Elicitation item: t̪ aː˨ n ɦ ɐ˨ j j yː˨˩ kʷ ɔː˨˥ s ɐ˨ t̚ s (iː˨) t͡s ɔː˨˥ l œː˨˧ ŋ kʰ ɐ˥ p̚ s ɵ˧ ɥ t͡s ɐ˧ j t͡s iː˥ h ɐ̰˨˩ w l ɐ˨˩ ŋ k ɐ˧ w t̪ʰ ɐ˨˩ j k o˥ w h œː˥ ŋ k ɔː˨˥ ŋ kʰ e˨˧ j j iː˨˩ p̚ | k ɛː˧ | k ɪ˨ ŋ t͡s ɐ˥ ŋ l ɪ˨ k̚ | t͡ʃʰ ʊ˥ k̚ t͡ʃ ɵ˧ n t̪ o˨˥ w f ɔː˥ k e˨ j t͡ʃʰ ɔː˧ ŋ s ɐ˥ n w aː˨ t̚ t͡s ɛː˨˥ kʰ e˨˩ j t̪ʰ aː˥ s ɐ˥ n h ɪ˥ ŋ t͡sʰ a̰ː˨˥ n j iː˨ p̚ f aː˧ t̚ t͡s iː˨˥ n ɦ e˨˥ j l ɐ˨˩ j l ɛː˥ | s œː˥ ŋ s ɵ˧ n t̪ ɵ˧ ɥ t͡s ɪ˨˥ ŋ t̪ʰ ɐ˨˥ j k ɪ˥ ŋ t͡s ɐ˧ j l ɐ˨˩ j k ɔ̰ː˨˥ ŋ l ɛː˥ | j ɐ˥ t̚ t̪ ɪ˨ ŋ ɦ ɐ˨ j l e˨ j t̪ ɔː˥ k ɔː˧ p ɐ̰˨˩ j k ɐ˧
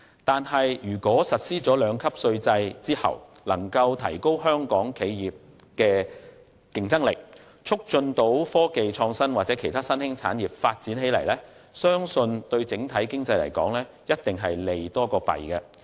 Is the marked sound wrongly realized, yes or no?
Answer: yes